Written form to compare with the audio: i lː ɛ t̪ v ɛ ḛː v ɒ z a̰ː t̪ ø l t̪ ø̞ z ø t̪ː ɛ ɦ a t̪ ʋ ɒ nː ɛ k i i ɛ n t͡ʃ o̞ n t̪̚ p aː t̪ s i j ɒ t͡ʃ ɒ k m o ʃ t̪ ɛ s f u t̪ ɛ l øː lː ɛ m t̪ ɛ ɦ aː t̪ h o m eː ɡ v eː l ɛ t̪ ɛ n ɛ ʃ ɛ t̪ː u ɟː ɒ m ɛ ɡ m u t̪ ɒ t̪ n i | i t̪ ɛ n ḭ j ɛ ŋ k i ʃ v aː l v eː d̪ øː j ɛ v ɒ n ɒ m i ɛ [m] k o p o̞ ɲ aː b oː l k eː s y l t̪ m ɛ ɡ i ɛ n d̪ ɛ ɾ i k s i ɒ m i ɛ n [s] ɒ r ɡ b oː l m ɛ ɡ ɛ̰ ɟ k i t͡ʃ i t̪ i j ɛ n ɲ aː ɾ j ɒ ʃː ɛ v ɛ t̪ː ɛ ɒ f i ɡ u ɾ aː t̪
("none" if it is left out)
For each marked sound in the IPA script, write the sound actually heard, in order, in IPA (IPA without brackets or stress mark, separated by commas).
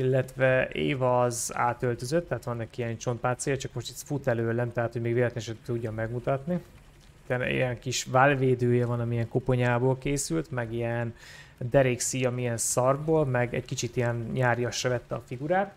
ŋ, s